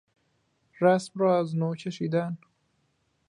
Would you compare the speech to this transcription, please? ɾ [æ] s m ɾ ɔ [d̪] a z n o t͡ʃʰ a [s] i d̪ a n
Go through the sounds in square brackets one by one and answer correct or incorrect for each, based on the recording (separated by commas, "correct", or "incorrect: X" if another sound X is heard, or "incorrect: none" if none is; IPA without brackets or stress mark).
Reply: incorrect: a, incorrect: none, incorrect: ʃ